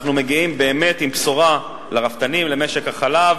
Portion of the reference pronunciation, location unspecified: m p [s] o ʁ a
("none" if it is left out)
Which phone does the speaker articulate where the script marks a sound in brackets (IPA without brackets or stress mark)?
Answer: s